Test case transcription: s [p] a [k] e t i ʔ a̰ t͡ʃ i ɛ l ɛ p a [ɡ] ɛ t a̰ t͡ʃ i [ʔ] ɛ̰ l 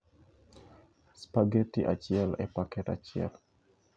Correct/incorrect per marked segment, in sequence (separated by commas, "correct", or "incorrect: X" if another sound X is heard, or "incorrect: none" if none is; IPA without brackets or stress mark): correct, incorrect: ɡ, incorrect: k, incorrect: none